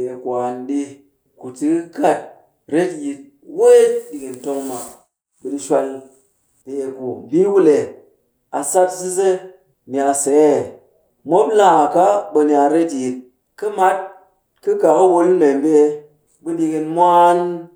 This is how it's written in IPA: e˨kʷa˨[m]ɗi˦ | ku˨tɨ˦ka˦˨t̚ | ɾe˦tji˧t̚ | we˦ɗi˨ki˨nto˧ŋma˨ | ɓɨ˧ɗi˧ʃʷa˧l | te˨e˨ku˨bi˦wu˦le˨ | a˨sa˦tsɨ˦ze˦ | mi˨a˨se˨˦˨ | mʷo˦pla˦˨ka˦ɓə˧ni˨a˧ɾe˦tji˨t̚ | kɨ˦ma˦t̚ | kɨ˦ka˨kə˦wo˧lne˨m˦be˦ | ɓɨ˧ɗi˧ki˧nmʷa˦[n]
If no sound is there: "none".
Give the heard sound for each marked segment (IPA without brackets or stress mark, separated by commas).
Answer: n, n